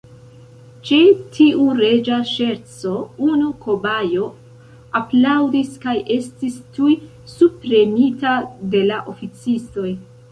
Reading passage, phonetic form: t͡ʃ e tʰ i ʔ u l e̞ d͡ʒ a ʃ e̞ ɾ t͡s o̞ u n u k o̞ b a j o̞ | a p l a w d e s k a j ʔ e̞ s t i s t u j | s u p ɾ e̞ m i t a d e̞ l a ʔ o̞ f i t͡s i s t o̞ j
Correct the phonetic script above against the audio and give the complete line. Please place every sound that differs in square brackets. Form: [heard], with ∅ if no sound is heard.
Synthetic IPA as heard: t͡ʃ e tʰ i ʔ u [ɾ] e̞ d͡ʒ a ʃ e̞ ɾ t͡s o̞ u n u k o̞ b a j o̞ | a p l a w d [i] s k a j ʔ e̞ s t i s t u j | s u p ɾ e̞ m i t a d e̞ l a ʔ o̞ f i t͡s i s t o̞ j